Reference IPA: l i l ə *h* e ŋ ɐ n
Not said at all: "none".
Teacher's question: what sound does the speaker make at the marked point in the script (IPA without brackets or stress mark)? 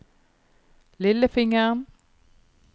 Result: f